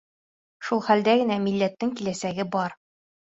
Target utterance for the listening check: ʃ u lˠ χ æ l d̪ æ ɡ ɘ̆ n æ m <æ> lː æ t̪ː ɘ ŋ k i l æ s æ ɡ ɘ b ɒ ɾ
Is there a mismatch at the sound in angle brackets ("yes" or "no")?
yes